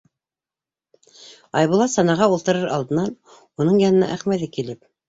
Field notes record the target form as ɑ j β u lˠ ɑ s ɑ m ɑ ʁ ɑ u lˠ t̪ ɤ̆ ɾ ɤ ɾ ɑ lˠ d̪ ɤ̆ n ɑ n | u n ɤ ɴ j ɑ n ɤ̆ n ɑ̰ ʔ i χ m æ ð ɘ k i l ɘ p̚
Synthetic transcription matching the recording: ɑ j β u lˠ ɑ s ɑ n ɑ ʁ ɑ u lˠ t̪ ɤ̆ ɾ ɤ ɾ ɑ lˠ d̪ ɤ̆ n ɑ n | u n ɤ ɴ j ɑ n ɤ̆ n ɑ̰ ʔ æ χ m æ ð ɘ k i l ɘ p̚